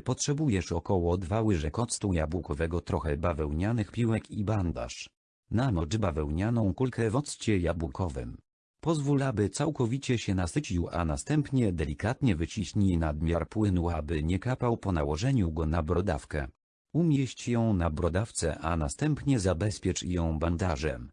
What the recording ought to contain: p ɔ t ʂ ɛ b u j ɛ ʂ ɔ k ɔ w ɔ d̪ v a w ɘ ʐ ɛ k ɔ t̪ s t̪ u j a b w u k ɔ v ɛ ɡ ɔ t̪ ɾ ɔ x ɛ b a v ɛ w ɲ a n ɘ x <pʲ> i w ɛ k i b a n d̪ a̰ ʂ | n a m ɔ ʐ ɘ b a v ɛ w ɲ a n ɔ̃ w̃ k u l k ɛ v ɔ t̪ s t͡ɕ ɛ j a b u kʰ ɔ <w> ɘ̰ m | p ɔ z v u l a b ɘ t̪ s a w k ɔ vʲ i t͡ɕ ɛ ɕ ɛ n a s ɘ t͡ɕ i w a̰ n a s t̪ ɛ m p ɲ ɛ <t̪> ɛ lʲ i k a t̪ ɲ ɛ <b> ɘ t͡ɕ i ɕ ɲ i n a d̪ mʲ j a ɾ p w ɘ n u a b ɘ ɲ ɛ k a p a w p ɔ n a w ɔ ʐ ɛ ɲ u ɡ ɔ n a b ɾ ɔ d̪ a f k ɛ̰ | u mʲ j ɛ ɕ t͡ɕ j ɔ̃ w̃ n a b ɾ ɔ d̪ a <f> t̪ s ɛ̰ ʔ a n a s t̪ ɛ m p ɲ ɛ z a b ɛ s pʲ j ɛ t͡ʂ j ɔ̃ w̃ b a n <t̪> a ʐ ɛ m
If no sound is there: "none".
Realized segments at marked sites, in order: pʲ, v, d̪, v, f, d̪

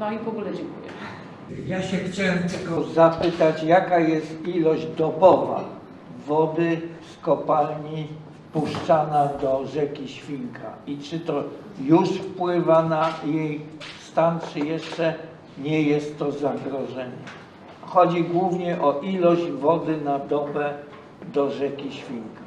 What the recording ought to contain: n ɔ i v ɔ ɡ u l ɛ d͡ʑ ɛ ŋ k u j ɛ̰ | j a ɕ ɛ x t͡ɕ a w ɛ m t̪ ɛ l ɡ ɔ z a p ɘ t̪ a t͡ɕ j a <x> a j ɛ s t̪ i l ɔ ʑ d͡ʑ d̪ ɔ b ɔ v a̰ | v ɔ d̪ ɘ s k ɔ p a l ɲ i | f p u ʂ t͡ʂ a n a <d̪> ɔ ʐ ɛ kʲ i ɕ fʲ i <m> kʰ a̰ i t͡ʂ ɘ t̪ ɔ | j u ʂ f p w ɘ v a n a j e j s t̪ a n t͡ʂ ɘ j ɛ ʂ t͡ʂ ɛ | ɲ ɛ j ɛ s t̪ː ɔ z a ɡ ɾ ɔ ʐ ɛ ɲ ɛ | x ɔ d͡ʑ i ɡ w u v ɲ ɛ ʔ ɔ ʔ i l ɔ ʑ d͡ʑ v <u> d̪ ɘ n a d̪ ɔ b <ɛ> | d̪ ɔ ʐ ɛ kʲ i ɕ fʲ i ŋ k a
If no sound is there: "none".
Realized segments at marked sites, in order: k, d̪, ŋ, ɔ, ɛ

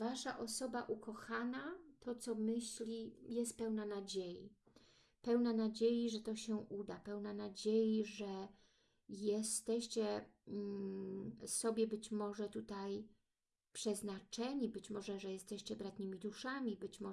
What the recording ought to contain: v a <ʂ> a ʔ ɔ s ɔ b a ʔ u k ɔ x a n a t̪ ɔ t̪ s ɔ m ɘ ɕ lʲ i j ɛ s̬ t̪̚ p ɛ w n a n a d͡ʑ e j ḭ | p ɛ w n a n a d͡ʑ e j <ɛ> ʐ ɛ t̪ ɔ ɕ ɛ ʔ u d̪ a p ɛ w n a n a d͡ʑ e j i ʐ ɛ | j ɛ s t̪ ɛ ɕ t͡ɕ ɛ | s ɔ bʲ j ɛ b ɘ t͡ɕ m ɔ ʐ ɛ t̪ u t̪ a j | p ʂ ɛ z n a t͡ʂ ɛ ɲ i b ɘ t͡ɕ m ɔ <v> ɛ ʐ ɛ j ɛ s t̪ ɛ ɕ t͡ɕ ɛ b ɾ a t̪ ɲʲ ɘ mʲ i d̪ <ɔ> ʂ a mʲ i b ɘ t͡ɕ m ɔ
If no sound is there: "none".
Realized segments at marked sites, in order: ʂ, i, ʐ, u

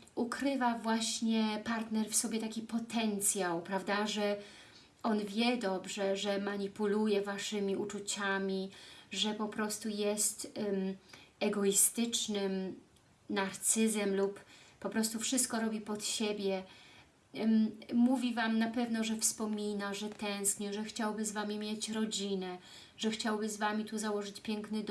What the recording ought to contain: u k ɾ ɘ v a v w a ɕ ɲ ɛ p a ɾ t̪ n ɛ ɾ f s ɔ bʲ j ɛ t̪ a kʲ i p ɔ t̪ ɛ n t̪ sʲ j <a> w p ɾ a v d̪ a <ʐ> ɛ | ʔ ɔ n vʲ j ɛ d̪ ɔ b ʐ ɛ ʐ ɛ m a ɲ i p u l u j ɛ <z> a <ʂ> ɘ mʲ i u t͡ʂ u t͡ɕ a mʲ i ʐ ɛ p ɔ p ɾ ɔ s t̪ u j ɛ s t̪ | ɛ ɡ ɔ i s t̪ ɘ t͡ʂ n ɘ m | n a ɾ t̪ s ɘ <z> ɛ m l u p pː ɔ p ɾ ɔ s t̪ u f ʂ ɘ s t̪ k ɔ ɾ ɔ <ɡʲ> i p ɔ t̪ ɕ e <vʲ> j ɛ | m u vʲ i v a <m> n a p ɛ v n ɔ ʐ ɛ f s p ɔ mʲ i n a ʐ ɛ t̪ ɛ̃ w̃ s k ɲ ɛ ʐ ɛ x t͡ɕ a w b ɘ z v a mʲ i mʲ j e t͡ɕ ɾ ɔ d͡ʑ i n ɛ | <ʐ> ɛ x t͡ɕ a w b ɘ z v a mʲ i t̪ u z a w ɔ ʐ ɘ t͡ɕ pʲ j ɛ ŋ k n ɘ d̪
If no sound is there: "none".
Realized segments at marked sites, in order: a, ʐ, v, ʂ, z, bʲ, bʲ, m, ʐ

